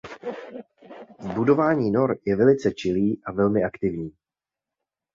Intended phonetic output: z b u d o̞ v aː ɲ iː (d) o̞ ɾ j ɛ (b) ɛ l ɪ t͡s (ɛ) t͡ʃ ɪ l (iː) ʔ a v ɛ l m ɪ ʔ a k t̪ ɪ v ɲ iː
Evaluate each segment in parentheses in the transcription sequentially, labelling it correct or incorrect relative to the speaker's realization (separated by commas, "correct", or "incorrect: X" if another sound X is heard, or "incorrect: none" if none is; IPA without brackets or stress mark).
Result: incorrect: n, incorrect: v, correct, correct